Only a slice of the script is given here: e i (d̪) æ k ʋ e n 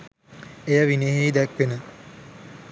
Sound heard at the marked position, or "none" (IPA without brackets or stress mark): d̪